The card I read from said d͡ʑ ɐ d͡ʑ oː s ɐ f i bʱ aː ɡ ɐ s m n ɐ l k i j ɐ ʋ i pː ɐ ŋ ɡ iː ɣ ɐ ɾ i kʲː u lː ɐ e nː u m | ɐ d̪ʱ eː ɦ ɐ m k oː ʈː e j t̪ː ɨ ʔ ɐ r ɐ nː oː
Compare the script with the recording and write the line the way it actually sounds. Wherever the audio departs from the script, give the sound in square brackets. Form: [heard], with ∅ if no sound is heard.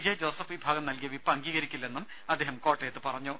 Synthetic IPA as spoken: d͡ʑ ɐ d͡ʑ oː s ɐ f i bʱ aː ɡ ɐ [∅] m n ɐ l k i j ɐ ʋ i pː ɐ ŋ ɡ iː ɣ ɐ ɾ i kʲː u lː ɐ e nː u m | ɐ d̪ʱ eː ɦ ɐ m k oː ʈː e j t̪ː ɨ [p] ɐ r ɐ [ɲː] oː